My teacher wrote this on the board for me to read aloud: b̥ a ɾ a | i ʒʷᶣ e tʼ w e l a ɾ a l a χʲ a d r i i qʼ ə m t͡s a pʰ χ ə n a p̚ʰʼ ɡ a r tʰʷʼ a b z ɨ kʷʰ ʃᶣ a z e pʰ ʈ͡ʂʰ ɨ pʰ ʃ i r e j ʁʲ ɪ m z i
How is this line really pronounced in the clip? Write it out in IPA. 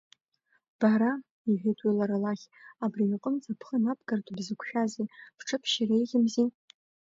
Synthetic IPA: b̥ a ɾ a | i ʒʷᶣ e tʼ w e l a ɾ a l a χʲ a b r i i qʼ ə m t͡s a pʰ χ ə n a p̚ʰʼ ɡ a r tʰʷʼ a b z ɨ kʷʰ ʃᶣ a z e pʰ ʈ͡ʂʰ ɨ pʰ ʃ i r e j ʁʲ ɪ m z i